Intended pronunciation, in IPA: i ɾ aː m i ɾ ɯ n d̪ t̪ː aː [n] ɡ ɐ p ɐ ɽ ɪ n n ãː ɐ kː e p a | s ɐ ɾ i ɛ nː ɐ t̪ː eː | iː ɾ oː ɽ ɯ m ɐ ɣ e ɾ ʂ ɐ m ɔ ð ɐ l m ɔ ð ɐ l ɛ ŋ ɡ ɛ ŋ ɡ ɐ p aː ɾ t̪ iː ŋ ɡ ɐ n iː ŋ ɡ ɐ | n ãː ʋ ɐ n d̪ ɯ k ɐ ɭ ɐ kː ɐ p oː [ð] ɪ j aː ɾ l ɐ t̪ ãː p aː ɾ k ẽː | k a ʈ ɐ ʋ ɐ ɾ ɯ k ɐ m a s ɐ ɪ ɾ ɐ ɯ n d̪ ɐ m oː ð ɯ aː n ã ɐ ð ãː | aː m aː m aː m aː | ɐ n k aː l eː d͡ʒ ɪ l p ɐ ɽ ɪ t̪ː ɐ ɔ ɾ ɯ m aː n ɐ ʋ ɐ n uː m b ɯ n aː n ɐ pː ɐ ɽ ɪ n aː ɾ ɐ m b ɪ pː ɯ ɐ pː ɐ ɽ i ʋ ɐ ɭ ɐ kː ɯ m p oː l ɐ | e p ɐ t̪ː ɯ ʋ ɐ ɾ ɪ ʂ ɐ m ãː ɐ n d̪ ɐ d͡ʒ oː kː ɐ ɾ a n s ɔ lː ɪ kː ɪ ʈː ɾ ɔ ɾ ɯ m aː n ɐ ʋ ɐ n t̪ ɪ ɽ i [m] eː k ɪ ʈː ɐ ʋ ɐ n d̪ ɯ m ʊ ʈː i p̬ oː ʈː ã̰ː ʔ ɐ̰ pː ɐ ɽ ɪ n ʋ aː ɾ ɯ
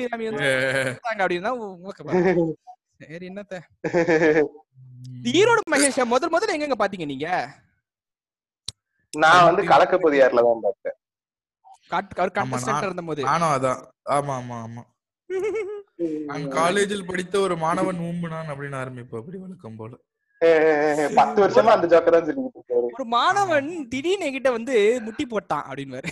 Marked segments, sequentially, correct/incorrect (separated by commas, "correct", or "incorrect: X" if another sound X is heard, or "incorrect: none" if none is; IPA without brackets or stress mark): incorrect: ŋ, correct, incorrect: n